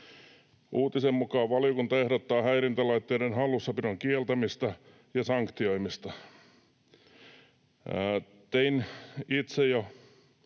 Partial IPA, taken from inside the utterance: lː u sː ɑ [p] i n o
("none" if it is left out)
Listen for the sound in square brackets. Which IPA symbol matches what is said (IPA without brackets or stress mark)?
p